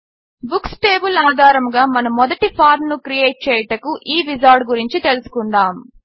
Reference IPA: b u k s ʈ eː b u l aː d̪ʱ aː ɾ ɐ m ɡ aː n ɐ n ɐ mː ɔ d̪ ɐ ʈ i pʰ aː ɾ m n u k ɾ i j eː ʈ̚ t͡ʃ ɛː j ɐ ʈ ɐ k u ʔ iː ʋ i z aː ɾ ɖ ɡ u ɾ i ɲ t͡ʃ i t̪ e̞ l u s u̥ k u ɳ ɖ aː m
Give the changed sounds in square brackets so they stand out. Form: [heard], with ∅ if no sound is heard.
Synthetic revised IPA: b u k s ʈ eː b u l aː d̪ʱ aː ɾ ɐ m ɡ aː [m] ɐ n ɐ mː ɔ d̪ ɐ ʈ i pʰ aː ɾ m n u k ɾ i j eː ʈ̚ t͡ʃ ɛː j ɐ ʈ ɐ k u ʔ iː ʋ i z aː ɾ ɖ ɡ u ɾ i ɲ t͡ʃ i t̪ e̞ l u s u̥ k u ɳ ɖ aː m